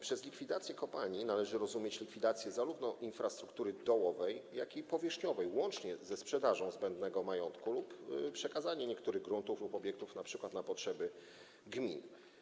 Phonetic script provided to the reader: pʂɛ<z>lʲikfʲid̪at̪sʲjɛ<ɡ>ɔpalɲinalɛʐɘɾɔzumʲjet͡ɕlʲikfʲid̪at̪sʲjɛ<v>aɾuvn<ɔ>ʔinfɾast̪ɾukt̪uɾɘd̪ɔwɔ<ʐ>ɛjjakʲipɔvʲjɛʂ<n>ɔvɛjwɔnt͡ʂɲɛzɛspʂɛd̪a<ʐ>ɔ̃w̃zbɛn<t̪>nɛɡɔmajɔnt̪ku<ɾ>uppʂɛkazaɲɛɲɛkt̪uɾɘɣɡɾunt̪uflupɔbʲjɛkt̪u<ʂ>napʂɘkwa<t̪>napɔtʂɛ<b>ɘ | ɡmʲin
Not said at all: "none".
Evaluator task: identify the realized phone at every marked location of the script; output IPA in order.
z, k, z, ɔ, v, ɲ, ʐ, d̪, l, f, t̪, b

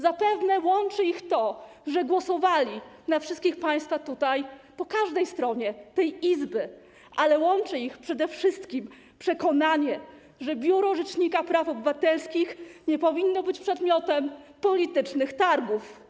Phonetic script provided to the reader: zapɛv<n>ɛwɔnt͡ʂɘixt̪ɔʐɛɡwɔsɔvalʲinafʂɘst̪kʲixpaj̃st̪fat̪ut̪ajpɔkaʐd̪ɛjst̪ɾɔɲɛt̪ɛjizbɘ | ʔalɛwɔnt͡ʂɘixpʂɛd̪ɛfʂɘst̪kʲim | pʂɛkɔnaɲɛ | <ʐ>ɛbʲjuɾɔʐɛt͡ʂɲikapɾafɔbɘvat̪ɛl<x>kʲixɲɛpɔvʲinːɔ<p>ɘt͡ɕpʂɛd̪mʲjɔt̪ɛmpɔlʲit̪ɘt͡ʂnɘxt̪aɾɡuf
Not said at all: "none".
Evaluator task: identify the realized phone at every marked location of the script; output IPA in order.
n, ʐ, s, b

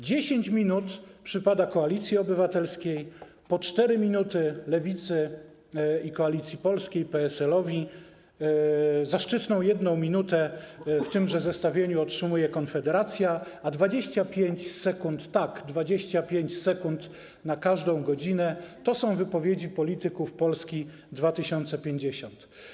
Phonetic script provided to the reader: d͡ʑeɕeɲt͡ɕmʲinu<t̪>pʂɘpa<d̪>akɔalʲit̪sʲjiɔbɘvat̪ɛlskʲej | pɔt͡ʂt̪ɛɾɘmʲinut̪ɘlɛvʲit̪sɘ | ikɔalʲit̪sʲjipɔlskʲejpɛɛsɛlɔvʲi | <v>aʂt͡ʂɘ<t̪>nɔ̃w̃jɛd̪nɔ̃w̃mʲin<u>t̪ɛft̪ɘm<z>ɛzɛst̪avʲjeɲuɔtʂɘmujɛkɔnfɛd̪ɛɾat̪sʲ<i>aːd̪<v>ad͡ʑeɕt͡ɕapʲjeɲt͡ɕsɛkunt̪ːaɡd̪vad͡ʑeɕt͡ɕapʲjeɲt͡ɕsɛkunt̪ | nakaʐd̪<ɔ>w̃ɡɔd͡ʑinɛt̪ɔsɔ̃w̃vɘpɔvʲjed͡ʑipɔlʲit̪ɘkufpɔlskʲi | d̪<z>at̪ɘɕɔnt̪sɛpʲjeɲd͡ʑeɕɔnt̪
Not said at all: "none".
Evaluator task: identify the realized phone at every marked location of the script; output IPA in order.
t̪, d̪, z, t̪, u, ʐ, j, v, ɔ̃, v

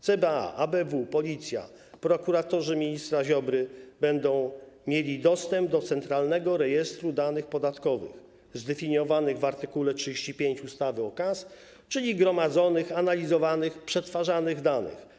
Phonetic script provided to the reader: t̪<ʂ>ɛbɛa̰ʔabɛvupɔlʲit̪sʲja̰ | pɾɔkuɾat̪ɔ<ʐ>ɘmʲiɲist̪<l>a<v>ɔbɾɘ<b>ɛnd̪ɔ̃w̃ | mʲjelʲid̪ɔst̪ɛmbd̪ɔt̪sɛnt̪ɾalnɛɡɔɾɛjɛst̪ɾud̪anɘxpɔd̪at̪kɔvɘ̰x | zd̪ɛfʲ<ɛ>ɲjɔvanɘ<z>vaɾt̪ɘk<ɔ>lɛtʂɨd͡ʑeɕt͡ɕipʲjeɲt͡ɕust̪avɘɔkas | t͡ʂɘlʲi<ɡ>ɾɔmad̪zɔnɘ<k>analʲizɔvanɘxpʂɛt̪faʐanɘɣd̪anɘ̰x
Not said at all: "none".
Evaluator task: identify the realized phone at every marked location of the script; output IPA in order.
s, ʐ, ɾ, ʑ, b, i, ɣ, u, ɡ, x

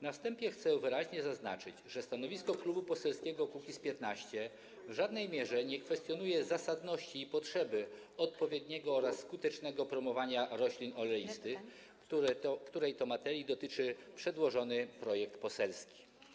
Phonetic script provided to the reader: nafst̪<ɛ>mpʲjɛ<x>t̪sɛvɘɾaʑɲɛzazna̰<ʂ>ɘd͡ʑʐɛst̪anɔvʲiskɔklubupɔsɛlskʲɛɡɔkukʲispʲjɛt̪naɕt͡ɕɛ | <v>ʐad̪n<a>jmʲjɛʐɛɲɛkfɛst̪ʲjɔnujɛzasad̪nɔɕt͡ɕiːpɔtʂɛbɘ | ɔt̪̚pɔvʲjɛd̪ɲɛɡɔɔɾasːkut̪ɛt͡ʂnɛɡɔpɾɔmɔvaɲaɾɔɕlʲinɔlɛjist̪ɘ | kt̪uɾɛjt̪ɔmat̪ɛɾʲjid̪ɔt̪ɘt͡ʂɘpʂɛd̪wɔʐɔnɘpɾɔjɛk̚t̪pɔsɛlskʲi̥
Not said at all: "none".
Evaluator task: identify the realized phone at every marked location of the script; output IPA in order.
ɛ, x, t͡ʂ, v, ɛ

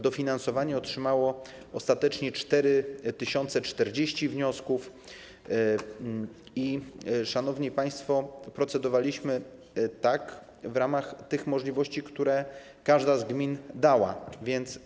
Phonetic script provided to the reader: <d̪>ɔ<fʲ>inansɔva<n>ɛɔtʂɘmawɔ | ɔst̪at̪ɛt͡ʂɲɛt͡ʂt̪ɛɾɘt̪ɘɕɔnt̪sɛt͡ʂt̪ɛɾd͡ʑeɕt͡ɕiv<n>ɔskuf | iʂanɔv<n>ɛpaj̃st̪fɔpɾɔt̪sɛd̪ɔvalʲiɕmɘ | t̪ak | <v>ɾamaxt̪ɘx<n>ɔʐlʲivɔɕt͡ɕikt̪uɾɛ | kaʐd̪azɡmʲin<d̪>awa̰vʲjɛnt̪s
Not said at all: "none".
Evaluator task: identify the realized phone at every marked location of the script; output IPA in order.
d̪, fʲ, ɲ, ɲ, ɲ, v, m, d̪

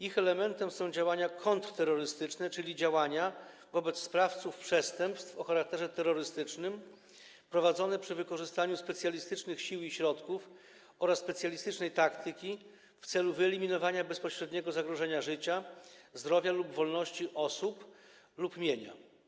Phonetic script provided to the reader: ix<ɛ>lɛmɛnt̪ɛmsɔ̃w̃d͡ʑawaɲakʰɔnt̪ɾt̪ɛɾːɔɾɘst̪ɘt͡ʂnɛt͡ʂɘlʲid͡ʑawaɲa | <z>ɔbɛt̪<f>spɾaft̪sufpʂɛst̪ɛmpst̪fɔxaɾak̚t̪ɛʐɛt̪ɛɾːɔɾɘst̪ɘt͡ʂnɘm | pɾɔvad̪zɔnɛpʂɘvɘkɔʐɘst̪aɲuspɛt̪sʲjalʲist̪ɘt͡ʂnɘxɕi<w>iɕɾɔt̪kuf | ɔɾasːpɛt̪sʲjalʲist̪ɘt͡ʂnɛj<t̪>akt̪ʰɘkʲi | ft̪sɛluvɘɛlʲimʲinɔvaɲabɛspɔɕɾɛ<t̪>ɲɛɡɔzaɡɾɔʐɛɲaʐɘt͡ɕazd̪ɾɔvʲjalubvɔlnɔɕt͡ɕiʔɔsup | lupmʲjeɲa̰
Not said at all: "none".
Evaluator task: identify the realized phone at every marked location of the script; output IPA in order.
ɛ, v, s, w, t̪, d̪

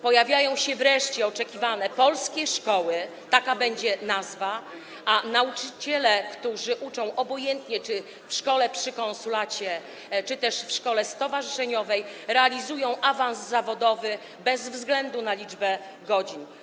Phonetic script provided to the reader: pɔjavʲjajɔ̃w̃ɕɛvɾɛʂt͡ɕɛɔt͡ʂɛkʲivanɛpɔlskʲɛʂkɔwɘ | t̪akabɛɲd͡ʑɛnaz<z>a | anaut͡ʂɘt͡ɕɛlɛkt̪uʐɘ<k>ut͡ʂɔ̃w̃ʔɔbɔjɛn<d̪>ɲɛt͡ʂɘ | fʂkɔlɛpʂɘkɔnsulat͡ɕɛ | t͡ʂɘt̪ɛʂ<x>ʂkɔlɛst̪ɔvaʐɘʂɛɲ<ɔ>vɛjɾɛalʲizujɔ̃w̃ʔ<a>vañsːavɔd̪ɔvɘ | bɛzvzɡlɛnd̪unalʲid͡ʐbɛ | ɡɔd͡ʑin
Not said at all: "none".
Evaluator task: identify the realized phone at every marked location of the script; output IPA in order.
v, ʔ, t̪, f, ɔ, a

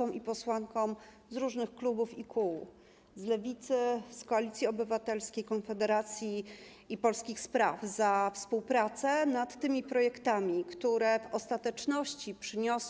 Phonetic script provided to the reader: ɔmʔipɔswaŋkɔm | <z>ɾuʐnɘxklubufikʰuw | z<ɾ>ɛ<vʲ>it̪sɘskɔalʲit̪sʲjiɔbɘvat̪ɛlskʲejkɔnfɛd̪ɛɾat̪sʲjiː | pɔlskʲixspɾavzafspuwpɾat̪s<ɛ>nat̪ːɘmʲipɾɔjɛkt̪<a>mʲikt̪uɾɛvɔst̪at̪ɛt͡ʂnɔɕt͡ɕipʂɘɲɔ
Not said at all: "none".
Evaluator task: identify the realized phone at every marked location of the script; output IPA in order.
z, l, vʲ, ɛ, a

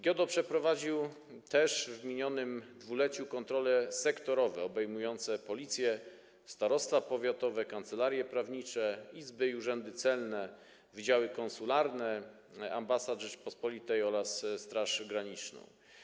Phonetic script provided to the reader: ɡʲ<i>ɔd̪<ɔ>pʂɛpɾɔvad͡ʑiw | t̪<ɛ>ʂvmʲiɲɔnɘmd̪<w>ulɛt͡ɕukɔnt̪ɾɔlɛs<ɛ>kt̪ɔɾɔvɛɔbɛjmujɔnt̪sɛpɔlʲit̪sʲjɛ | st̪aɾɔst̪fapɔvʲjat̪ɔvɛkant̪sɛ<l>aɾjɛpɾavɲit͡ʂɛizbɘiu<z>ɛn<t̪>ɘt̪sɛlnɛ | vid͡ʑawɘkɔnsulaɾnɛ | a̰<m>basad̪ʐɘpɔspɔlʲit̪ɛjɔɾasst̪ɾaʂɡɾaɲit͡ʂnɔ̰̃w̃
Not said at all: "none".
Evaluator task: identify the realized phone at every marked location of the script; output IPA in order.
j, ɔ, ɛ, v, ɛ, l, ʐ, d̪, m

